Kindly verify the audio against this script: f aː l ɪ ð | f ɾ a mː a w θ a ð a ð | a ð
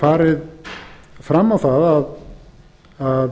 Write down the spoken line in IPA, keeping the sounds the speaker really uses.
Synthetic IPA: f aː ɾ ɪ ð | f ɾ a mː a w θ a ð a ð | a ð